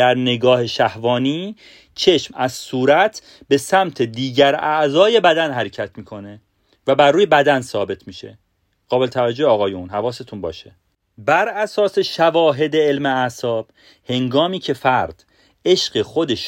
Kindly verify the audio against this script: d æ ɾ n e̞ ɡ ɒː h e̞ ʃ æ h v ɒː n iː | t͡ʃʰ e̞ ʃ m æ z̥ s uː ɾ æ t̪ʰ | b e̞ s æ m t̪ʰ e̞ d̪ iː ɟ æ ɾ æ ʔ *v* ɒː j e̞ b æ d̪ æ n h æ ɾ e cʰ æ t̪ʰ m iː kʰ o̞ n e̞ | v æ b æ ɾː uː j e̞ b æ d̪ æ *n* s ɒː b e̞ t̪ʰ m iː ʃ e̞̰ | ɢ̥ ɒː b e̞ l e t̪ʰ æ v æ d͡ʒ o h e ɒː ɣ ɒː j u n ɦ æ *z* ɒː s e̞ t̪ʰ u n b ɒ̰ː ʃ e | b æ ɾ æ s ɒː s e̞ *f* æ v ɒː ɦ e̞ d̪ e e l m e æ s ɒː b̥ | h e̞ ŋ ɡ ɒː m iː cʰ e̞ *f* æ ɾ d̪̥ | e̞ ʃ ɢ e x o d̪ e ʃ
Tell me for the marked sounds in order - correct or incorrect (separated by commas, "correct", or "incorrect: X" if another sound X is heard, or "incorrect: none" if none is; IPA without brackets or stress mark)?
incorrect: z, correct, incorrect: v, incorrect: ʃ, correct